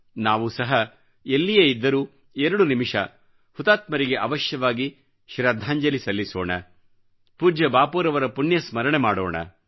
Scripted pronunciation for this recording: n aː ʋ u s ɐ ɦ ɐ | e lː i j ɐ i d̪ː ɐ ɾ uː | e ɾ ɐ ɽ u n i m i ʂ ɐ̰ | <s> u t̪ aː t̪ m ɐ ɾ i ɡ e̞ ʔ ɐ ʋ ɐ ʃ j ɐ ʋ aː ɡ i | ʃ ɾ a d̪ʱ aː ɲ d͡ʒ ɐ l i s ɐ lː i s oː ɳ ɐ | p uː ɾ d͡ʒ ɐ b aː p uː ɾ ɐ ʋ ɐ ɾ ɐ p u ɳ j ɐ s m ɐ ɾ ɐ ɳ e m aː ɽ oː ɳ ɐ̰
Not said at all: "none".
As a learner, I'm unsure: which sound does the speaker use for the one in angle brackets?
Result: h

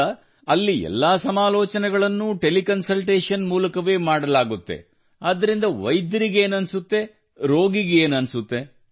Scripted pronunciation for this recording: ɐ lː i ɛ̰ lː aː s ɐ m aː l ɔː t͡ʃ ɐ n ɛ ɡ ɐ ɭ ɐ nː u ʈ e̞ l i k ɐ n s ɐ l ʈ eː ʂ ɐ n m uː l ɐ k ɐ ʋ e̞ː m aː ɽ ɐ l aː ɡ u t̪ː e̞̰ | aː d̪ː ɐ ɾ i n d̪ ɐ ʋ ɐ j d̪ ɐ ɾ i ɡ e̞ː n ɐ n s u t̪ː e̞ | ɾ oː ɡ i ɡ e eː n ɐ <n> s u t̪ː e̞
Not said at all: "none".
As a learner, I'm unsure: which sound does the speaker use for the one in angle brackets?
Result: n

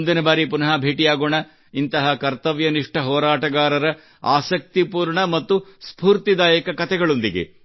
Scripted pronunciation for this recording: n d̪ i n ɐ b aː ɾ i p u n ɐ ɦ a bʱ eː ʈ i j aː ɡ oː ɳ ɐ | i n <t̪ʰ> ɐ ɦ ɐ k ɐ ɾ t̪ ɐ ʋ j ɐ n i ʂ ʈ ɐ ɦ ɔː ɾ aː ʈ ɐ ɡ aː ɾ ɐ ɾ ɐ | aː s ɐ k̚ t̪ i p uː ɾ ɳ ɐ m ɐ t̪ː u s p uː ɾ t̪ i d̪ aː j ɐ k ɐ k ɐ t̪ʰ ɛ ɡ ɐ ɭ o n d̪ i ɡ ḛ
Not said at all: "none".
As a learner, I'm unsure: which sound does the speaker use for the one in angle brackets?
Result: t̪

